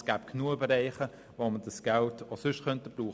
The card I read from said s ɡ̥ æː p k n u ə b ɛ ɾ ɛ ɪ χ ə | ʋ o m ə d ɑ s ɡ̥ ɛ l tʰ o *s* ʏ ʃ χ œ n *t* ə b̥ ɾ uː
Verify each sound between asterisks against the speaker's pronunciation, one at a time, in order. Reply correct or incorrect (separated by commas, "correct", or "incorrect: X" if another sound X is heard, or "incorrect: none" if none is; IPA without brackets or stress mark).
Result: correct, correct